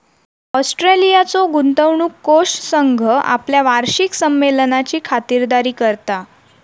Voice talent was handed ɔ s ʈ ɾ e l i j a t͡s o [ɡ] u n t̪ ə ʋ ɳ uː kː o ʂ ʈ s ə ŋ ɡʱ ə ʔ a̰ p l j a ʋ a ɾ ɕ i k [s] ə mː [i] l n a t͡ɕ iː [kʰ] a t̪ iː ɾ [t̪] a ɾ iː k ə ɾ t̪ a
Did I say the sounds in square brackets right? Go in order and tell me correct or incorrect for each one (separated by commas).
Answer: correct, correct, incorrect, correct, incorrect